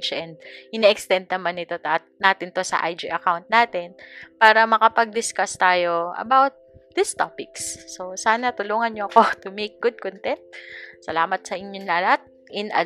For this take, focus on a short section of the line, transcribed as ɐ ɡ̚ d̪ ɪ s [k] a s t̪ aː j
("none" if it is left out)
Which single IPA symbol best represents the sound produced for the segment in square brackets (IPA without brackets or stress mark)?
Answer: k